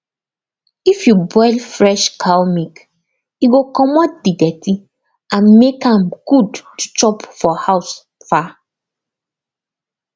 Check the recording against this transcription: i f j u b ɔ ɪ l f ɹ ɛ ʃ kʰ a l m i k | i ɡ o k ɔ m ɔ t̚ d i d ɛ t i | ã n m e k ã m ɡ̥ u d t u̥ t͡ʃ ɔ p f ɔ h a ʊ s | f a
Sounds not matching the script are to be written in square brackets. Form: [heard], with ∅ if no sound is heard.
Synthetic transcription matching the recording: i f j u b ɔ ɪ l f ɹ ɛ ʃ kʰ a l m i k | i ɡ o k ɔ m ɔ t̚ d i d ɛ t i | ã n m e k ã m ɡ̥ u d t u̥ t͡ʃ ɔ p f ɔ h a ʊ s | f a